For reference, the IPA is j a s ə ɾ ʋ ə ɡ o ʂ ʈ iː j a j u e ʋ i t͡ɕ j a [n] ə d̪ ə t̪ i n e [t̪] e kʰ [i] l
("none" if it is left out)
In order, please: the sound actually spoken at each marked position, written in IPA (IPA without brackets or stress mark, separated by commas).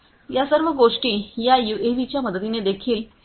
m, d̪, iː